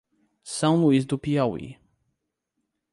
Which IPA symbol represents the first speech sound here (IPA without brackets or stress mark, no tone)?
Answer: s